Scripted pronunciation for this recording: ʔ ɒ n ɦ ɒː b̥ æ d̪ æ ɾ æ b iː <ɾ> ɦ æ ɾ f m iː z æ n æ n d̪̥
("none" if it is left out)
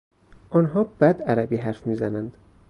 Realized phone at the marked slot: none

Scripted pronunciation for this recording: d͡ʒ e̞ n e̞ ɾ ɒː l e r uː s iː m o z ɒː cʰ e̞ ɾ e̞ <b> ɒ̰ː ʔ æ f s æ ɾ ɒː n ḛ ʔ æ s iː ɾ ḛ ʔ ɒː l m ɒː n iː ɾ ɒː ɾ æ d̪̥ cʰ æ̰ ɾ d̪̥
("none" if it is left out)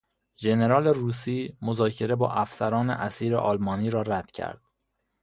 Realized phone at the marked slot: b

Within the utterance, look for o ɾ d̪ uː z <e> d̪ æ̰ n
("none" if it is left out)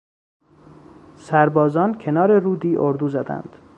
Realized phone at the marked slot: æ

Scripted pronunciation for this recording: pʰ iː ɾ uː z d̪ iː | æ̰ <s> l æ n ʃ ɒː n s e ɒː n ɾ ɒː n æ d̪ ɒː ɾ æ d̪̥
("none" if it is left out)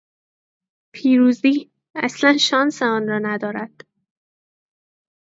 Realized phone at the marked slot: s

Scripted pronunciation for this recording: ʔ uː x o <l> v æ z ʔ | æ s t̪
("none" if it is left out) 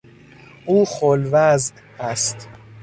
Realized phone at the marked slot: l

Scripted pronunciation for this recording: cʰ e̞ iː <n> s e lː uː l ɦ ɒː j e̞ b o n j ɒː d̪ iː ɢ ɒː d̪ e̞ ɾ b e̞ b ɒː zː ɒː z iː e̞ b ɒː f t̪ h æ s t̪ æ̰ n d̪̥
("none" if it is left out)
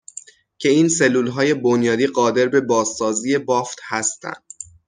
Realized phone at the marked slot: n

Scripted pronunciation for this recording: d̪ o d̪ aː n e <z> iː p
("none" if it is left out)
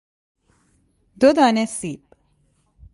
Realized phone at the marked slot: s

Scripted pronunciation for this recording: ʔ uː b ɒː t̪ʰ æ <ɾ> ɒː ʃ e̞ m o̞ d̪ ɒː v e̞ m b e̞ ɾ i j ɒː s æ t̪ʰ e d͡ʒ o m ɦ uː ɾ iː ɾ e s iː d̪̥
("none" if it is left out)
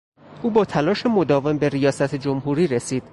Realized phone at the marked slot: l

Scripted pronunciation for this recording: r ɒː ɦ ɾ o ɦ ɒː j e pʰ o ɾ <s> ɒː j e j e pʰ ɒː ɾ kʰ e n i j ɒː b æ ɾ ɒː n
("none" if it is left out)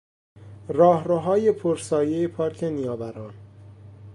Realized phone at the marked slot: s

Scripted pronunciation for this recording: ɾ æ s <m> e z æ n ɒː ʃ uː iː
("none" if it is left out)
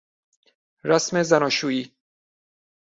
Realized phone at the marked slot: m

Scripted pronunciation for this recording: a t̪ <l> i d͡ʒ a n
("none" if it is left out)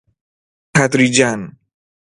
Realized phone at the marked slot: ɾ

